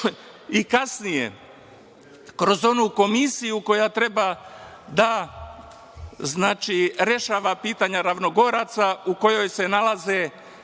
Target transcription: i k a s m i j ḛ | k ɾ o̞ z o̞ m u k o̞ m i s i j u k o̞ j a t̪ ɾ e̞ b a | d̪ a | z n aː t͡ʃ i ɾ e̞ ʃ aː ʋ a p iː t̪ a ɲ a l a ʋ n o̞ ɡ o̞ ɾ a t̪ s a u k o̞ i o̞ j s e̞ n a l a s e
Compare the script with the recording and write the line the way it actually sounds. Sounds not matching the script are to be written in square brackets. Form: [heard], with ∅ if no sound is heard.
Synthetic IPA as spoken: i k a s [n] i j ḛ | k ɾ o̞ z o̞ [n] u k o̞ m i s i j u k o̞ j a t̪ ɾ e̞ b a | d̪ a | z n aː t͡ʃ i ɾ e̞ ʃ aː ʋ a p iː t̪ a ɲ a [ɾ] a ʋ n o̞ ɡ o̞ ɾ a t̪ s a u k o̞ [j] o̞ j s e̞ n a l a [z] e